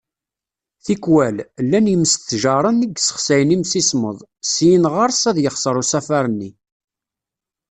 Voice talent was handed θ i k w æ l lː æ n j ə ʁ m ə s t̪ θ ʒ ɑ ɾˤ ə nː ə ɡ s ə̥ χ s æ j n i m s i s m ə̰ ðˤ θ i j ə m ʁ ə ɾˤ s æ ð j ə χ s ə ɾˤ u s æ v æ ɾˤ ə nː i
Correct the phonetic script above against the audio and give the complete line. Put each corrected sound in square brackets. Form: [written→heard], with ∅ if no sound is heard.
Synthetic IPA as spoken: θ i k w æ l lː æ n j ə [ʁ→∅] m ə s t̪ θ ʒ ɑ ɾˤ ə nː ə ɡ s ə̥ χ s æ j n i m s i s m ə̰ ðˤ [θ→s] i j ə [m→n] ʁ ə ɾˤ s æ ð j ə χ s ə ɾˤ u s æ [v→f] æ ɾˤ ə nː i